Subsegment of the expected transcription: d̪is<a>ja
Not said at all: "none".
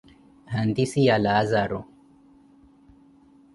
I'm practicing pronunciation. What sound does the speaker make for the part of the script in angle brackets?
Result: i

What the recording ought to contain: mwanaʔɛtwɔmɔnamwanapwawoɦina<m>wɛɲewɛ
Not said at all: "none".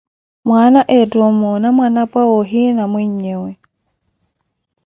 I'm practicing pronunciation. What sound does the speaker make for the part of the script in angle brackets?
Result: m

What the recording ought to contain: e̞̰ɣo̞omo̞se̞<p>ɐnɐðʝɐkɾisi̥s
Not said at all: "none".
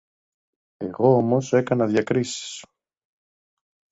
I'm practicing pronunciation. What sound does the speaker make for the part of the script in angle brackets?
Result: k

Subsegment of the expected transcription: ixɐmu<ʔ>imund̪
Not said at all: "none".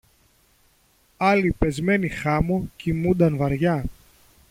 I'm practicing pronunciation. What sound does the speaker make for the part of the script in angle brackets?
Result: c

